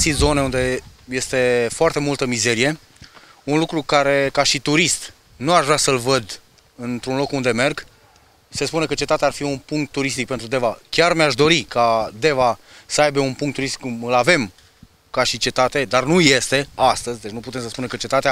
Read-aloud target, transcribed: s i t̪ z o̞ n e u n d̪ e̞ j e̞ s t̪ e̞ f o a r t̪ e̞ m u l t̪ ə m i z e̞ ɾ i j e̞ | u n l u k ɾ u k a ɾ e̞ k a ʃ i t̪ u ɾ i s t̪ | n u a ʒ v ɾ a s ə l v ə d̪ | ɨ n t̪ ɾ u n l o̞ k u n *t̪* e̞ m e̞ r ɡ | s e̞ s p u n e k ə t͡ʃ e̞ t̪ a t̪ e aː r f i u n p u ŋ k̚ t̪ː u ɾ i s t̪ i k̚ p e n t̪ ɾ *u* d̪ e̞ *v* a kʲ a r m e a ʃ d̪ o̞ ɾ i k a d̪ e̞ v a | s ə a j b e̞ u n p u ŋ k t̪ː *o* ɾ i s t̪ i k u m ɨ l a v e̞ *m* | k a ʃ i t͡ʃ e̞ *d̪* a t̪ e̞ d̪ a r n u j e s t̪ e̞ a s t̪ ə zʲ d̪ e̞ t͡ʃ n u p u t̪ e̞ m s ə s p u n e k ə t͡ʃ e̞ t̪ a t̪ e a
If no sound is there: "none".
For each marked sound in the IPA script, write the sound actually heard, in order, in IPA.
d̪, u, v, u, m, t̪

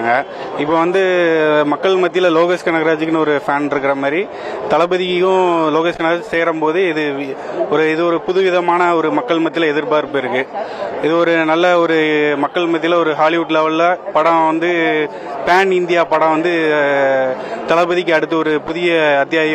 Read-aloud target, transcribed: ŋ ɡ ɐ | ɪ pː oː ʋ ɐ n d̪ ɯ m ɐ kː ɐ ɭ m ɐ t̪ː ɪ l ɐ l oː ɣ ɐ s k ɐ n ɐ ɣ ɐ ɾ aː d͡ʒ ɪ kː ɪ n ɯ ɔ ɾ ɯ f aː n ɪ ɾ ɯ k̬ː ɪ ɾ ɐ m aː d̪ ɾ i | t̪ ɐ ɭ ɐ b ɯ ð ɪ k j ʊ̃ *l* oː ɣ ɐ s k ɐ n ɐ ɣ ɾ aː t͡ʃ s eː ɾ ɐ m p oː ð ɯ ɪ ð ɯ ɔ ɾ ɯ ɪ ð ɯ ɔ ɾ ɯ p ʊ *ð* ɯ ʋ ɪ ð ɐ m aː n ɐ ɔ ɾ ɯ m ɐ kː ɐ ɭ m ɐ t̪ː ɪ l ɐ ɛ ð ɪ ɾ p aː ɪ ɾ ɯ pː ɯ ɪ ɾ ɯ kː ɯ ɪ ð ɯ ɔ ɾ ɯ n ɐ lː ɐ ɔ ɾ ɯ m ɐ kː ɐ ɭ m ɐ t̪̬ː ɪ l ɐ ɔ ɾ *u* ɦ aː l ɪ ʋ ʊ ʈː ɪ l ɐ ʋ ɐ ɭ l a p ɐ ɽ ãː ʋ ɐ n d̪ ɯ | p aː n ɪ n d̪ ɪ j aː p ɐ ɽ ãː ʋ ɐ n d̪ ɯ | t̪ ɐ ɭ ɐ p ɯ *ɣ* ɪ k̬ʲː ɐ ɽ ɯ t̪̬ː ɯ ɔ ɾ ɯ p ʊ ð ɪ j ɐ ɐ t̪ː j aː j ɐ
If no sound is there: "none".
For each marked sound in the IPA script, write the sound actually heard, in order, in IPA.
l, ð, ɯ, ð

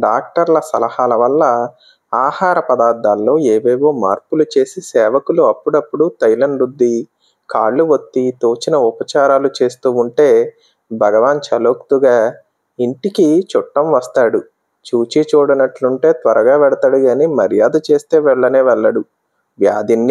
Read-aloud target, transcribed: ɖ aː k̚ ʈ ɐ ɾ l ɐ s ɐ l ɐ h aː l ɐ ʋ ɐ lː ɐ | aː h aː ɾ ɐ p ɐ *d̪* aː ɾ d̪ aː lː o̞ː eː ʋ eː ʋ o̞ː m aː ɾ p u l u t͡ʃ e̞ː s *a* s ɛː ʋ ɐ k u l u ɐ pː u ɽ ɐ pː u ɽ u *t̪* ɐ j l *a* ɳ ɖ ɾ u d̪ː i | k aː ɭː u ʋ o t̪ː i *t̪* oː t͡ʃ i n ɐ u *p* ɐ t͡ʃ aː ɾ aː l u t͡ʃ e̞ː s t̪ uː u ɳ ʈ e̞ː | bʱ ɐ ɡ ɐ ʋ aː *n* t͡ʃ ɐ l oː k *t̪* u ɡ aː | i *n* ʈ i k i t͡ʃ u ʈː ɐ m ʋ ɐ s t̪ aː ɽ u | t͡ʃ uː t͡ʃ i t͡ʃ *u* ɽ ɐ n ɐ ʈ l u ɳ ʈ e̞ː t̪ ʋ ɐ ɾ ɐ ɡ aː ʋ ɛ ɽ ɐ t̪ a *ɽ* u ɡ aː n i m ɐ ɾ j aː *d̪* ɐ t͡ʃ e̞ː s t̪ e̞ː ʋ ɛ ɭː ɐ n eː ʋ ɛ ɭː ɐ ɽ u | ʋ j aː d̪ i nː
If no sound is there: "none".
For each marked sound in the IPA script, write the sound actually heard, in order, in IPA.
d̪, i, t̪, ɐ, t̪, p, n, t̪, ɳ, uː, ɽ, d̪

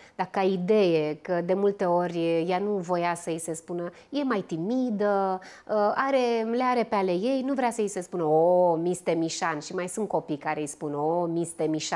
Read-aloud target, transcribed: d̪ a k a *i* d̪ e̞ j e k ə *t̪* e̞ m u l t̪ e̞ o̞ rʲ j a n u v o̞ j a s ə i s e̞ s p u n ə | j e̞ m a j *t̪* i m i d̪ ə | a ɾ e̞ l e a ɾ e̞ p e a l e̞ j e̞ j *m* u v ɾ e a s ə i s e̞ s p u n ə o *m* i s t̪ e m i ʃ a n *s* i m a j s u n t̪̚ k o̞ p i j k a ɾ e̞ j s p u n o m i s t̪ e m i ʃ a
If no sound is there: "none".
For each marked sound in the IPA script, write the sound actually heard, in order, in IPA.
i, d̪, t̪, n, m, ʃ

